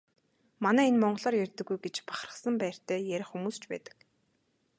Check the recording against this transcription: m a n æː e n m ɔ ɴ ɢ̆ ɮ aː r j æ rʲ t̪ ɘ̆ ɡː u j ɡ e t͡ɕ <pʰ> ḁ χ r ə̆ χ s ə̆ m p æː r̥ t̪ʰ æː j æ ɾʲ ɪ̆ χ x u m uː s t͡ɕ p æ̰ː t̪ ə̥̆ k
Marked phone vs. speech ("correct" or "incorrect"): incorrect